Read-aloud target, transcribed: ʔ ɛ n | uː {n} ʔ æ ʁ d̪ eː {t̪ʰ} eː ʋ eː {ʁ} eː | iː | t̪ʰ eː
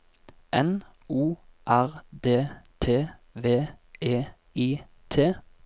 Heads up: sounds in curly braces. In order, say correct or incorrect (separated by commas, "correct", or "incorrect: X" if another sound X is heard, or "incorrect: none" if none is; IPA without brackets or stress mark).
incorrect: none, correct, incorrect: none